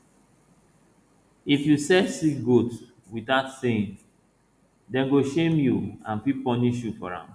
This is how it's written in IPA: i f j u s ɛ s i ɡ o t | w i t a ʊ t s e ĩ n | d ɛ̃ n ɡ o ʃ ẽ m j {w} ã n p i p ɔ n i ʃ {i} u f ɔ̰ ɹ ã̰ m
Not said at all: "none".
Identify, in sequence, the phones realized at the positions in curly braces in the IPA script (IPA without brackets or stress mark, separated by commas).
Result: u, j